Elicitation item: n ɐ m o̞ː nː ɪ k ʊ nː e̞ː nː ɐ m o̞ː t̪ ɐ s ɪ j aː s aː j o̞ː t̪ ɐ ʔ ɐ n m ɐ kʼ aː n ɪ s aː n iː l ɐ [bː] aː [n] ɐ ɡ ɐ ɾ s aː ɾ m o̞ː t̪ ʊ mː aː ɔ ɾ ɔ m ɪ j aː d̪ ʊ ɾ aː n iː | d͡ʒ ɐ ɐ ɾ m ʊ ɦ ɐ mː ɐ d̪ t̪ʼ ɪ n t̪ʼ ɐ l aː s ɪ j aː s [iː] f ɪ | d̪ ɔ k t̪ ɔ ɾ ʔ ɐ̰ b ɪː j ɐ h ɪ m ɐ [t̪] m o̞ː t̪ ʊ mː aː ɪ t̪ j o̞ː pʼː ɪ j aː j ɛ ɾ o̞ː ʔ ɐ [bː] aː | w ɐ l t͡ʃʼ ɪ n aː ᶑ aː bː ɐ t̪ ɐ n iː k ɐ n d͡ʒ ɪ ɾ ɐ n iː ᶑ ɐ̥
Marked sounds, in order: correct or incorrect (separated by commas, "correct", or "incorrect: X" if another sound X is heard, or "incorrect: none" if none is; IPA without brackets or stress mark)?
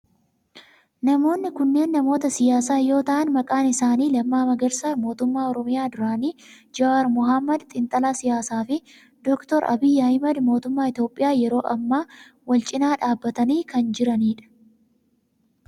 incorrect: mː, incorrect: m, incorrect: aː, incorrect: d̪, incorrect: mː